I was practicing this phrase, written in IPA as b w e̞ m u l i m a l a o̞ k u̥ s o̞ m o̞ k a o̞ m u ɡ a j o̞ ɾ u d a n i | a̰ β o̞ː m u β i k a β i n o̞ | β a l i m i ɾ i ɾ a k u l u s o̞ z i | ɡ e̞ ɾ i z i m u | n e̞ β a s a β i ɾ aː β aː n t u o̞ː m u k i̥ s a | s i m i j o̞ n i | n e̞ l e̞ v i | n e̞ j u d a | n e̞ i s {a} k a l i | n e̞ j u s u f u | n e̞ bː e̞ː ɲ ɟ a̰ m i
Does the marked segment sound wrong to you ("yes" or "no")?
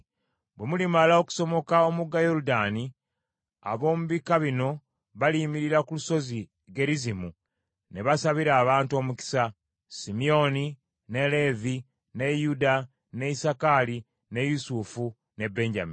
no